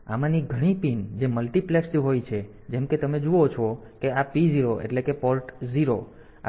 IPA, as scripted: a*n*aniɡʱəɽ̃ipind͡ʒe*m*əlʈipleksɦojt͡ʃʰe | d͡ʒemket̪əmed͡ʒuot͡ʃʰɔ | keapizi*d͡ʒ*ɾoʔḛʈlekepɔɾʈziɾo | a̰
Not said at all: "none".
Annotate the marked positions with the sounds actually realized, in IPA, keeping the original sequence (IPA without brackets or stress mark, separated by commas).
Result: m, m, none